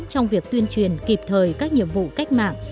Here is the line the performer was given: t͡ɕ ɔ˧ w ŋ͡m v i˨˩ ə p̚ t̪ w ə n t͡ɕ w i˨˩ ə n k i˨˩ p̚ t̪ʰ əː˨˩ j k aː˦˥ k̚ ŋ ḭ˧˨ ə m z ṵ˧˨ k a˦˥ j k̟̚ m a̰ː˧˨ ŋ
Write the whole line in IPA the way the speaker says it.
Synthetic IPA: t͡ɕ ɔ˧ w ŋ͡m v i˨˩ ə k̚ t̪ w ə n t͡ɕ w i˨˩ ə n k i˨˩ p̚ t̪ʰ əː˨˩ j k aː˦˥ k̚ ɲ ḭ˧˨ ə m v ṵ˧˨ k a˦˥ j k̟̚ m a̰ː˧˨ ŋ